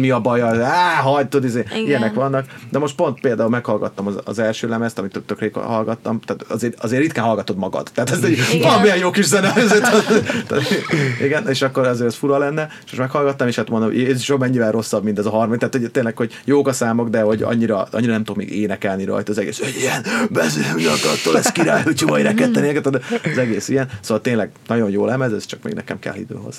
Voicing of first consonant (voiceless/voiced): voiced